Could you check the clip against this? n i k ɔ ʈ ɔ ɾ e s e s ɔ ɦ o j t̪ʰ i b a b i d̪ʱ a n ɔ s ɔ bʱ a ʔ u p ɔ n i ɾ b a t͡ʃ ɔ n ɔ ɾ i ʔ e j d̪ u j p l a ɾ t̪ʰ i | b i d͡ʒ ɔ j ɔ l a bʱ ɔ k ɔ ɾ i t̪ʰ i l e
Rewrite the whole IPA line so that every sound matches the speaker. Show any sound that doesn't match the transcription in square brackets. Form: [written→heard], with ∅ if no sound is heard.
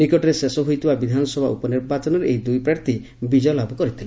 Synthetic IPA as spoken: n i k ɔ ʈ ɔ ɾ e s e s ɔ ɦ o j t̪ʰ i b a b i d̪ʱ a n ɔ s ɔ bʱ a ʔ u p ɔ n i ɾ b a t͡ʃ ɔ n ɔ ɾ [i→e] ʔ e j d̪ u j p [l→ɾ] a ɾ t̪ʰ i | b i d͡ʒ ɔ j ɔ l a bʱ ɔ k ɔ ɾ i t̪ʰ i l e

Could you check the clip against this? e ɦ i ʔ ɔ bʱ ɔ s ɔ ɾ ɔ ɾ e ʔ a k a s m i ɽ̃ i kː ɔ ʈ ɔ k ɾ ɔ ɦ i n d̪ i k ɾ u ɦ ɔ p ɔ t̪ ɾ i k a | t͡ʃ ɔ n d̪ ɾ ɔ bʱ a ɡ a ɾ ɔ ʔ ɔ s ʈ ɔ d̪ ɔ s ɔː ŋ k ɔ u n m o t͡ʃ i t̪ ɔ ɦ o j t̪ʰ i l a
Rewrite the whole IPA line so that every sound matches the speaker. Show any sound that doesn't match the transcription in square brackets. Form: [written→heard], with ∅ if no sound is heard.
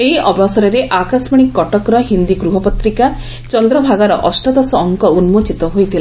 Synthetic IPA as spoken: e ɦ i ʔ ɔ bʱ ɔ s ɔ ɾ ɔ ɾ e ʔ a k a s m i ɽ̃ i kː ɔ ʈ ɔ k ɾ ɔ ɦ i n d̪ i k ɾ u ɦ ɔ p ɔ t̪ ɾ i k a | t͡ʃ ɔ n d̪ ɾ ɔ bʱ a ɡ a ɾ ɔ ʔ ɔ s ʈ ɔ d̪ ɔ s ɔː ŋ k ɔ u n m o t͡ʃ i t̪ ɔ ɦ o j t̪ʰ i l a

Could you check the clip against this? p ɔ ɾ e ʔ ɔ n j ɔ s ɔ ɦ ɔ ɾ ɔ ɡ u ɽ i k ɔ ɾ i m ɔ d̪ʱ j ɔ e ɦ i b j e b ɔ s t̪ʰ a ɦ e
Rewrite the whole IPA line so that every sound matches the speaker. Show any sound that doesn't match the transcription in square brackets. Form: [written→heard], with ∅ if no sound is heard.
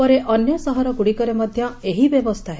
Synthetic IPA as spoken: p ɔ ɾ e ʔ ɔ n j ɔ s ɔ ɦ ɔ ɾ ɔ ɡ u ɽ i k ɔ ɾ [i→e] m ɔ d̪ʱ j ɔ e ɦ i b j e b ɔ s t̪ʰ a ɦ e

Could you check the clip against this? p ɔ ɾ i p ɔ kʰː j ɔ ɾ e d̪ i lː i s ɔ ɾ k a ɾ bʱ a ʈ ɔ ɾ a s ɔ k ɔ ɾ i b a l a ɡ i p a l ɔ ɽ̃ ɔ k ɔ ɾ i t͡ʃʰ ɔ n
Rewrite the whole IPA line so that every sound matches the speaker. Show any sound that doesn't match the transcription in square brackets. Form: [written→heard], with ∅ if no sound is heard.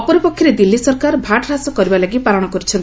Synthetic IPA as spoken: p ɔ ɾ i p ɔ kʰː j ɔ ɾ e d̪ i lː i s ɔ ɾ k a ɾ bʱ a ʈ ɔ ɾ a s ɔ k ɔ ɾ i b a l a ɡ i p a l ɔ ɽ̃ ɔ k ɔ ɾ i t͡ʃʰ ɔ n

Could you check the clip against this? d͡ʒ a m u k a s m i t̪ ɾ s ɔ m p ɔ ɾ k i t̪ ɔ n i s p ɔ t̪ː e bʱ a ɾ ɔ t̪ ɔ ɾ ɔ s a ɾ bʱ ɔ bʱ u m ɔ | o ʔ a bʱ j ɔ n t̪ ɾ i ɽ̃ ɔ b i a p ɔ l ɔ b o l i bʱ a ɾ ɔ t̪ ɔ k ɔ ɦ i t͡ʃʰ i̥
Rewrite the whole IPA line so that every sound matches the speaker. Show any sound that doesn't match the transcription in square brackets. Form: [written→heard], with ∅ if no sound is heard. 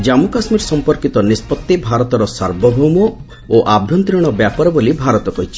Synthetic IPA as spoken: d͡ʒ a m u k a s m i [t̪→∅] ɾ s ɔ m p ɔ ɾ k i t̪ ɔ n i s p ɔ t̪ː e bʱ a ɾ ɔ t̪ ɔ ɾ ɔ s a ɾ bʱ ɔ bʱ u m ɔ | o ʔ a bʱ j ɔ n t̪ ɾ i ɽ̃ ɔ b [i→j] a p ɔ [l→ɾ] ɔ b o l i bʱ a ɾ ɔ t̪ ɔ k ɔ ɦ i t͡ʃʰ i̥

